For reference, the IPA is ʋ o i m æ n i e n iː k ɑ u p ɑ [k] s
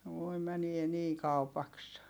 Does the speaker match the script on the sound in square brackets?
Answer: yes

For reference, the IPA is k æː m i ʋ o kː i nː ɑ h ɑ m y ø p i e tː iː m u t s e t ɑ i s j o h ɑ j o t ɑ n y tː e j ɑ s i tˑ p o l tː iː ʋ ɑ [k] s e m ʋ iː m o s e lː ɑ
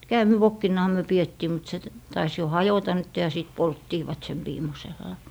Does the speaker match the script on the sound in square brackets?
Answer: no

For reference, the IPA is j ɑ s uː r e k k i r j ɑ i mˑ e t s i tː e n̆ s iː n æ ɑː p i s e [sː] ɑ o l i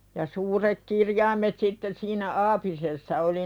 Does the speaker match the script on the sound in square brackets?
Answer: yes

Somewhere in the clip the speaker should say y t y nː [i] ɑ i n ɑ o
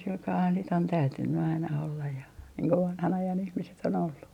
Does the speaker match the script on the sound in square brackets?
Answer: no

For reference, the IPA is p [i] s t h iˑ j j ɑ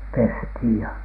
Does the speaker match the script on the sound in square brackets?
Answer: no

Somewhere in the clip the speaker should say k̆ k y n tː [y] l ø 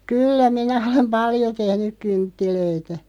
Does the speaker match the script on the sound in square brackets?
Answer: no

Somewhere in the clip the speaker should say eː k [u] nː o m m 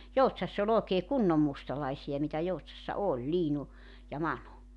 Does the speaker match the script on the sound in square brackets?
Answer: yes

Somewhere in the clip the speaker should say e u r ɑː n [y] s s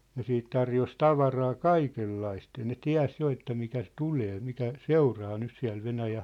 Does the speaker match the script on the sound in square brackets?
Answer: yes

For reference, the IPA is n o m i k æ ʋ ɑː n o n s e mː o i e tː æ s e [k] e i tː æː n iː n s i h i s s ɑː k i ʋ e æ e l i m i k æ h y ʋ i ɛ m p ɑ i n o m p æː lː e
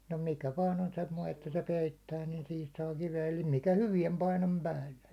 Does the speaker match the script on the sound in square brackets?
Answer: no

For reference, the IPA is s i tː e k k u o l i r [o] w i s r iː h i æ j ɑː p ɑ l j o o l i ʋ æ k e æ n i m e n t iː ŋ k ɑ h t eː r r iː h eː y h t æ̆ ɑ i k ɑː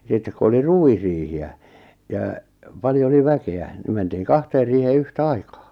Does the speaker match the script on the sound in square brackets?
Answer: no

